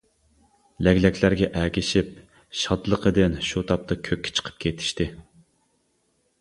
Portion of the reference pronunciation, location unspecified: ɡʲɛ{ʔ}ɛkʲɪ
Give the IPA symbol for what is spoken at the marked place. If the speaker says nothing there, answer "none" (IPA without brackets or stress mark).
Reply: ʔ